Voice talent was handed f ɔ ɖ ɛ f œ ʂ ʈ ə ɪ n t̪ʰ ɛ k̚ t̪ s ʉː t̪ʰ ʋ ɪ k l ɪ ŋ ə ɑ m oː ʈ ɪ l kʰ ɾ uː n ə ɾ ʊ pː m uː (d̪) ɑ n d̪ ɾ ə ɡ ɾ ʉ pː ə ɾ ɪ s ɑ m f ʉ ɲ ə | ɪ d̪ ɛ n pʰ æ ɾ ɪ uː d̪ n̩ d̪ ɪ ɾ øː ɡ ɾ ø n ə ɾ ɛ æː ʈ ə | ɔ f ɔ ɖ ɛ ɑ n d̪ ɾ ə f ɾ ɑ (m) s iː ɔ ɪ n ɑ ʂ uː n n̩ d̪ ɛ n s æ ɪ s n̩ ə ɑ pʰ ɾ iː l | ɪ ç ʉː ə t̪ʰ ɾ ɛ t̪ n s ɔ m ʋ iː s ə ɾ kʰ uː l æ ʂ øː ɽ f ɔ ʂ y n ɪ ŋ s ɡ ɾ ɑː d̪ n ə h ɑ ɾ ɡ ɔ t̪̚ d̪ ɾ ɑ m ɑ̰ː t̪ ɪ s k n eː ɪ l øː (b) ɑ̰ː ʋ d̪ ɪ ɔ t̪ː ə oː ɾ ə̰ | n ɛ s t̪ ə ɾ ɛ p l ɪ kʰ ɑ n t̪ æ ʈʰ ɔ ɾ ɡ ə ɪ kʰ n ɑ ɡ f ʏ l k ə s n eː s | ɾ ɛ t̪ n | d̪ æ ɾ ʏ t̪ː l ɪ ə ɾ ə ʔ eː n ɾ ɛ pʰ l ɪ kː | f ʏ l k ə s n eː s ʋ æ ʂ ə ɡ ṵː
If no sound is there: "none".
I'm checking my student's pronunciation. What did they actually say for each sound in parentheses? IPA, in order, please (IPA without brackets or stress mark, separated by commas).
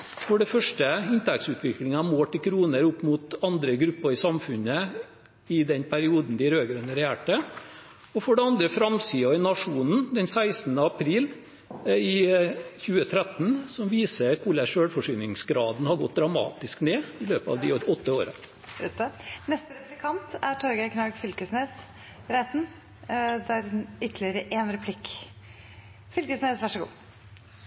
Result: t̪, m, p